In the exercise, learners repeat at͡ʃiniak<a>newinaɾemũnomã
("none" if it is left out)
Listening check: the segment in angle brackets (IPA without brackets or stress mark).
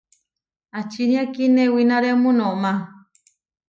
i